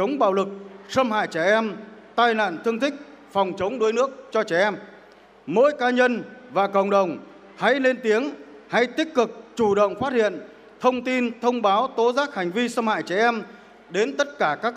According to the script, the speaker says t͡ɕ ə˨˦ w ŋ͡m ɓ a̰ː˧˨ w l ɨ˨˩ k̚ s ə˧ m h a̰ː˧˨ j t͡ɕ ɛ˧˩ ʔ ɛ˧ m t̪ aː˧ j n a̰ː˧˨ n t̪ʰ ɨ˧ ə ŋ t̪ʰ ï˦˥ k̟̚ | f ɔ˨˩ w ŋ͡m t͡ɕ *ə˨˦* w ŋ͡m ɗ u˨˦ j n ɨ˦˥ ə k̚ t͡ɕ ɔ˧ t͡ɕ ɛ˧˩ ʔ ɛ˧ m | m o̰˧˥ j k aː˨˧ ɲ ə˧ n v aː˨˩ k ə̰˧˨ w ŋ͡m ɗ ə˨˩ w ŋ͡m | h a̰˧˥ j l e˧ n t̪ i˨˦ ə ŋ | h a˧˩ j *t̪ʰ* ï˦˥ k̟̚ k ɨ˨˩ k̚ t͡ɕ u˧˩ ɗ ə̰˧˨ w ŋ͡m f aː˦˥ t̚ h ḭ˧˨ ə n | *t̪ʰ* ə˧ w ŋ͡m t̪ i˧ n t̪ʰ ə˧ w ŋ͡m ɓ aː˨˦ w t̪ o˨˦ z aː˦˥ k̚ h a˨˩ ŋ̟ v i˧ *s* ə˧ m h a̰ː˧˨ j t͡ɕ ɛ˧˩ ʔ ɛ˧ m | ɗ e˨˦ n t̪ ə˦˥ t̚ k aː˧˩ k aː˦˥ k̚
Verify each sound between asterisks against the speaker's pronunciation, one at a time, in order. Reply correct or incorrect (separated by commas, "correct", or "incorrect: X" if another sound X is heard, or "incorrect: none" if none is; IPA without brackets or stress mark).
correct, incorrect: t̪, correct, correct